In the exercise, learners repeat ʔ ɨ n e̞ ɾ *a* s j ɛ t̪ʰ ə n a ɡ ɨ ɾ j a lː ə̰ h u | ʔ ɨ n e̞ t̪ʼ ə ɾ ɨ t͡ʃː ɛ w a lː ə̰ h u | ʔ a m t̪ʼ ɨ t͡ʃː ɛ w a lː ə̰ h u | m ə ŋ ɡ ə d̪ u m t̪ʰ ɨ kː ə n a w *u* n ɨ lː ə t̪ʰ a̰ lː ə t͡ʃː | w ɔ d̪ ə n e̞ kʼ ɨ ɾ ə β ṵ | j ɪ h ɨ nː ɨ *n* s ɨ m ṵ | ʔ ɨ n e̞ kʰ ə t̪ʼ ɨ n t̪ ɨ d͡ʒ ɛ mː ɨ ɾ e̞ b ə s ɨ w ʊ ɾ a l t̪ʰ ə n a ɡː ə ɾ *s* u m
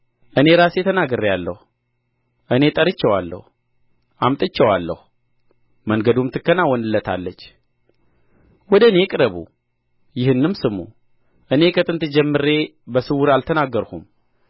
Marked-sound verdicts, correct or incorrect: correct, incorrect: ɔ, incorrect: m, incorrect: h

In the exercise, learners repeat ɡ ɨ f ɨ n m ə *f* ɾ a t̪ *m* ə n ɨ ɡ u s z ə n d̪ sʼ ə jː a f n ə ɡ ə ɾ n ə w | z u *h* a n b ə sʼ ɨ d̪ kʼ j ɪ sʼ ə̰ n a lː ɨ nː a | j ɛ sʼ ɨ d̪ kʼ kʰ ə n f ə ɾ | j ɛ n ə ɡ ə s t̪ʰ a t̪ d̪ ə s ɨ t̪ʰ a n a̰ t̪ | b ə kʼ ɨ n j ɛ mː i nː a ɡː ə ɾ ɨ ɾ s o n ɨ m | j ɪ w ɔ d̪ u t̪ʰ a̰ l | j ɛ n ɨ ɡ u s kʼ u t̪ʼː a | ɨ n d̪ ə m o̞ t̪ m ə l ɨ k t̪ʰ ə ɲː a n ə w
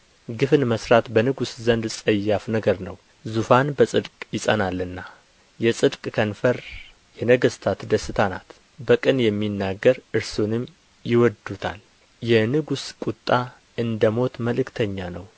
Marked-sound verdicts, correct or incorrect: incorrect: s, incorrect: b, incorrect: f

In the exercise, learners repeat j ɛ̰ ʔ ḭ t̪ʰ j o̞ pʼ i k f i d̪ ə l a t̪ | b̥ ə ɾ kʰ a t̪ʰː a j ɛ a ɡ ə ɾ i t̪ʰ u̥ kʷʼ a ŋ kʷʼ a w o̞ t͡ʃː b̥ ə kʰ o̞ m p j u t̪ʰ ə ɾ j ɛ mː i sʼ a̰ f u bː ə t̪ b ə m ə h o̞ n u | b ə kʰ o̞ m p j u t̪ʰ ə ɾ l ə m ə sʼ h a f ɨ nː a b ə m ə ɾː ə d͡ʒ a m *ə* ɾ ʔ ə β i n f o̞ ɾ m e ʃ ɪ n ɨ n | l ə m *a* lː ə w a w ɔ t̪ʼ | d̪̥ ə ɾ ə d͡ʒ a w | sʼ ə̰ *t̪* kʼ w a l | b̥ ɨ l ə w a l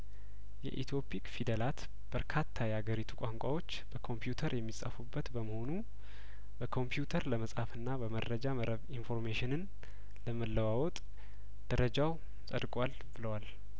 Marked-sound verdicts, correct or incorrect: correct, incorrect: ə, incorrect: d̪

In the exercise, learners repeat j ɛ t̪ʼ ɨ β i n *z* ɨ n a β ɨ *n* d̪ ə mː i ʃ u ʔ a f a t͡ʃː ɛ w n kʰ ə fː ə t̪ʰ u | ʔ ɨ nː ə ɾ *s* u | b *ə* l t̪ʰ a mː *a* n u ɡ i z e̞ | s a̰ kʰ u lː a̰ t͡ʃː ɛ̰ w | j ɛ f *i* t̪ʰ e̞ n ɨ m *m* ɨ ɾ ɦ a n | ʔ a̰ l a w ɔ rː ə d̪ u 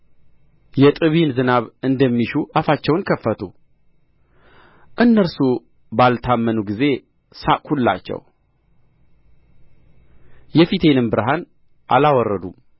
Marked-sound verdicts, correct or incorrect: correct, correct, correct, incorrect: a, incorrect: ə, correct, incorrect: b

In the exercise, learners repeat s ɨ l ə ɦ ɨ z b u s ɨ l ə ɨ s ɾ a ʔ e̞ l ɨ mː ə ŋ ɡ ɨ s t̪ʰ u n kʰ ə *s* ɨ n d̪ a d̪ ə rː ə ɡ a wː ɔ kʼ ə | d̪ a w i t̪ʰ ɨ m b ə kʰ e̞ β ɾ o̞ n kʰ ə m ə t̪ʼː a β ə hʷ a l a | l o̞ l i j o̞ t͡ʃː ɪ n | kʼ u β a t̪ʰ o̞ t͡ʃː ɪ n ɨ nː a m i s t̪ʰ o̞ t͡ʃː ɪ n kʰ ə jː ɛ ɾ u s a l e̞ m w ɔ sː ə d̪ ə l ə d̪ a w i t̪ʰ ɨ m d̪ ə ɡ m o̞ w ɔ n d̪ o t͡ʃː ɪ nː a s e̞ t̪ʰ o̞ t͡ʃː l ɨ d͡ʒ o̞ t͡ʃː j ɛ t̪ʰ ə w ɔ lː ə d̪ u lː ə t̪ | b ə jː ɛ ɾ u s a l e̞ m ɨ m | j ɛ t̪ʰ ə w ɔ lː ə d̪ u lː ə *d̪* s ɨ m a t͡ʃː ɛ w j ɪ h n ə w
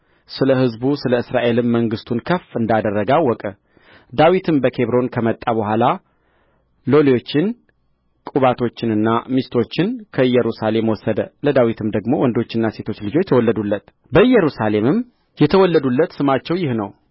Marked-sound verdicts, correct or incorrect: incorrect: f, incorrect: t̪

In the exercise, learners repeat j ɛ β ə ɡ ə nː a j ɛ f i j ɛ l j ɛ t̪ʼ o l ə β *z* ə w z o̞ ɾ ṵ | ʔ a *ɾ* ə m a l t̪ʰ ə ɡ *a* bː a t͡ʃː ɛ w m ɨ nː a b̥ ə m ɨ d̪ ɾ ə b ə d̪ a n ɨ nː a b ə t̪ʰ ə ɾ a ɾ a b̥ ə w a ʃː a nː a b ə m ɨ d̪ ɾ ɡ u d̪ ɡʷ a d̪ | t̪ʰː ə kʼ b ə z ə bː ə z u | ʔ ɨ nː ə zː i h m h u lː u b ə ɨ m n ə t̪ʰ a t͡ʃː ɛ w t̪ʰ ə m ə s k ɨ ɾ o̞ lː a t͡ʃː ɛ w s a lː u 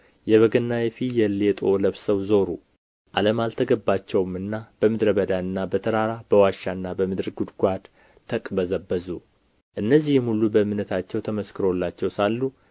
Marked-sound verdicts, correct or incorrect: incorrect: s, incorrect: l, incorrect: ə

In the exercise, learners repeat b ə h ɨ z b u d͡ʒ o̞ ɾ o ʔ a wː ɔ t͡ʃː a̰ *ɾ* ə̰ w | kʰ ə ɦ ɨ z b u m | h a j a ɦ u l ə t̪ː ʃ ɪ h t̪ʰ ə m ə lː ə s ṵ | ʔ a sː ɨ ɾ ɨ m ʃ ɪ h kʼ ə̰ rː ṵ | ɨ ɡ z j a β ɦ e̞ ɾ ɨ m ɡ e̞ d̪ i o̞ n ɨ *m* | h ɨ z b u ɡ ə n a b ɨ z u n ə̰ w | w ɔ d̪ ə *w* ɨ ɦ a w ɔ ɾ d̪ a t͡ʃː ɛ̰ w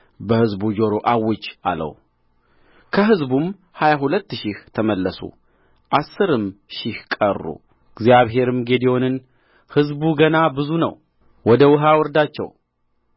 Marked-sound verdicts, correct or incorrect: incorrect: l, incorrect: n, correct

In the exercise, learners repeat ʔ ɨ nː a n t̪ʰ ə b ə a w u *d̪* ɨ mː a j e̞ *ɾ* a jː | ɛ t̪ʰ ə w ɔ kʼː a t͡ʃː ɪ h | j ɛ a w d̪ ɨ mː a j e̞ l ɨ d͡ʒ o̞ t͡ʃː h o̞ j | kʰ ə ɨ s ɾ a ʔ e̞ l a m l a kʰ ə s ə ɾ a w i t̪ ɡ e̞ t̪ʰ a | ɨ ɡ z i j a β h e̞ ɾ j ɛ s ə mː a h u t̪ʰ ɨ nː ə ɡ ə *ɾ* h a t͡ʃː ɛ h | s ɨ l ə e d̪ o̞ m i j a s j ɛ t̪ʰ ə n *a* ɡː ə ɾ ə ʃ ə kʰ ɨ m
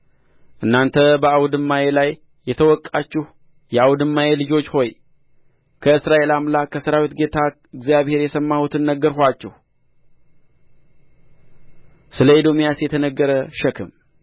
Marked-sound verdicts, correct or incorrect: correct, incorrect: l, correct, incorrect: ə

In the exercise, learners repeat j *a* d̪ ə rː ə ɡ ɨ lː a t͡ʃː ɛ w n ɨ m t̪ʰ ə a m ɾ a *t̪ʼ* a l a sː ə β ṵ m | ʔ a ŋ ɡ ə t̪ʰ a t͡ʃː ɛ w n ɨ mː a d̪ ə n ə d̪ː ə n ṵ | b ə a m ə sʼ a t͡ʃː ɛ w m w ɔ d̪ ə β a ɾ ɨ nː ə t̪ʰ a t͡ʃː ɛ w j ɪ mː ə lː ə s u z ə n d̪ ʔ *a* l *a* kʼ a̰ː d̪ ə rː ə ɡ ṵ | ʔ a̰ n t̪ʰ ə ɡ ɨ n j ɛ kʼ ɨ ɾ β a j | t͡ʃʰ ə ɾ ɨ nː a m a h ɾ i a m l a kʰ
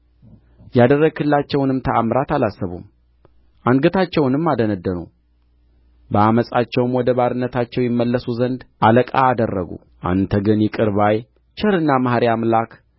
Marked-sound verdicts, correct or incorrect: correct, incorrect: t̪, correct, incorrect: ə

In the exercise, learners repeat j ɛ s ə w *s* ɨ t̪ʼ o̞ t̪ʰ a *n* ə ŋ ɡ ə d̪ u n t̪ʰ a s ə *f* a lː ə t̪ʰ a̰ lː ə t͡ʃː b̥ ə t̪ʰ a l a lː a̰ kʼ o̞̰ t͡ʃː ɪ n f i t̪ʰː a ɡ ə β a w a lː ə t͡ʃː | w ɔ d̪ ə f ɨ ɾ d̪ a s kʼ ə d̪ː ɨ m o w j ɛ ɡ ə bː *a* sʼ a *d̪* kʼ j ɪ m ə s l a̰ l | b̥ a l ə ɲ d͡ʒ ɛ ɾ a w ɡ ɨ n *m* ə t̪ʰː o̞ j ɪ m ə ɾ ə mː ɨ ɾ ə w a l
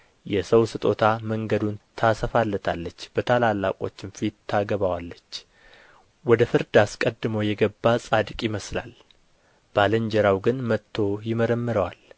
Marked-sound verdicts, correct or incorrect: correct, incorrect: m, correct, correct, correct, correct

